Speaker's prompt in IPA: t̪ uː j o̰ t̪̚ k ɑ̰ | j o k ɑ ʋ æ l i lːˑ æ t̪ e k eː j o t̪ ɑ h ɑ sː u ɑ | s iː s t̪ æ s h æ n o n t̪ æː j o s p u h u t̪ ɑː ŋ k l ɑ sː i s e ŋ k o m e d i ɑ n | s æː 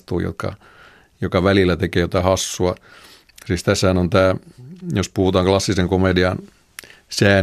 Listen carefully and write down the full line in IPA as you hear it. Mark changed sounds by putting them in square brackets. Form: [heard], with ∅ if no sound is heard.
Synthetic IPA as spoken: t̪ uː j o̰ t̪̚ k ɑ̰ | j o k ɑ ʋ æ l i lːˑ æ t̪ e k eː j o t̪ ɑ h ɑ sː u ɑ | s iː s t̪ æ s h æ n o n t̪ æː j o s p u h u t̪ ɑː ŋ k l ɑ sː i s e ŋ k o m e d i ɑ n | s æː